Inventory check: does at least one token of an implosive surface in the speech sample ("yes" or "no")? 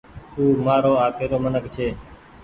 no